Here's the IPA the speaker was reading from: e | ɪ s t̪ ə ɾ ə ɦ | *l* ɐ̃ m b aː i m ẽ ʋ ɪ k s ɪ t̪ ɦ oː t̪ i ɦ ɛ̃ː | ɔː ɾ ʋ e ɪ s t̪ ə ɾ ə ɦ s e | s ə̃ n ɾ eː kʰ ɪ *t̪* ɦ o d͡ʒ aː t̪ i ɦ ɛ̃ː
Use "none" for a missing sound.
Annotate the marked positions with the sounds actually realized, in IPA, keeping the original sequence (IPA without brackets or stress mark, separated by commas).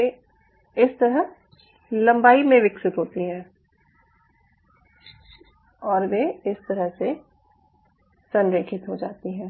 l, t̪